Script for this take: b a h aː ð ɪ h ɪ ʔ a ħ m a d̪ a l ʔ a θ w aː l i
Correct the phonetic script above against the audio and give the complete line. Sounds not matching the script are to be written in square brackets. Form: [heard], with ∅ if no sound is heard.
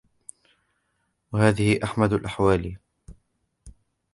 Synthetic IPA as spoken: [w] a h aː ð ɪ h ɪ ʔ a ħ m a d̪ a l ʔ a [ħ] w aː l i